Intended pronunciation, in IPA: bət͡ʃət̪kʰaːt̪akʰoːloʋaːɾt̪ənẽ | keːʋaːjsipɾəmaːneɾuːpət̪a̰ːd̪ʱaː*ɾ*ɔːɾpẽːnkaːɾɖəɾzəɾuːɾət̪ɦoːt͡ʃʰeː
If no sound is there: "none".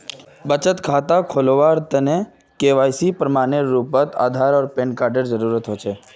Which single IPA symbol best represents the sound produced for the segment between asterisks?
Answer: ɾ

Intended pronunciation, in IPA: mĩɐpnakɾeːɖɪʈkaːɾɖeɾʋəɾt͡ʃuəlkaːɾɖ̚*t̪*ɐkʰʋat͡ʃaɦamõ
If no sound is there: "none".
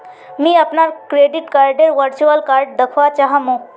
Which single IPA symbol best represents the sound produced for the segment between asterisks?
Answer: d̪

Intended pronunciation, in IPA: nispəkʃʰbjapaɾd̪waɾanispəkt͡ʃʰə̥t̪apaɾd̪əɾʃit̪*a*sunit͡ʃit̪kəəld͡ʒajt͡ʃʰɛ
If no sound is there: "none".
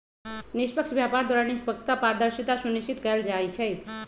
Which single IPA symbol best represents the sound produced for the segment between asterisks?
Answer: a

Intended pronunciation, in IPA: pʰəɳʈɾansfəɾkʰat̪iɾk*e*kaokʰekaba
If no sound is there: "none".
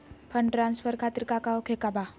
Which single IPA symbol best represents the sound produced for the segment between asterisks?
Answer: a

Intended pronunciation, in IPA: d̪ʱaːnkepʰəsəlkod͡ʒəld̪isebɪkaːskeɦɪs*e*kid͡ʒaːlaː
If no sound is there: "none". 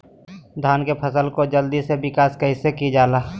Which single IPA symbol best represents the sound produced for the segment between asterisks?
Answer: e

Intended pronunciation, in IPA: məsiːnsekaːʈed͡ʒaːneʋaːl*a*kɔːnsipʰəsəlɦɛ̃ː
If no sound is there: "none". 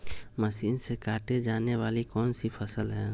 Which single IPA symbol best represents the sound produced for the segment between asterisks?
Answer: i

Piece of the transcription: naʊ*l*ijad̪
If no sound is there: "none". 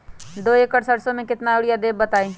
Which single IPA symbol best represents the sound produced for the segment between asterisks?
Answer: ɽ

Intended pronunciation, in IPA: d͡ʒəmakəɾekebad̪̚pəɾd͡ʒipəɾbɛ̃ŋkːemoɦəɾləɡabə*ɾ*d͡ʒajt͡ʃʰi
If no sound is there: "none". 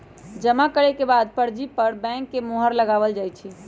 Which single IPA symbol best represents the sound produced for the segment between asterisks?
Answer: l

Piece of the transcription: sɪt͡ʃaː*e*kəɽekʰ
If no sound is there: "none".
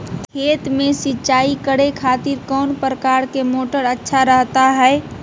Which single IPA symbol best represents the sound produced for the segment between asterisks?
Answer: i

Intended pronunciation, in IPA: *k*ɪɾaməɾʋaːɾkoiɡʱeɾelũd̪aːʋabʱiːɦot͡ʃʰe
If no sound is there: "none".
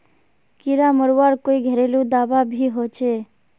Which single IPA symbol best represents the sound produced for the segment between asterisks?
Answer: k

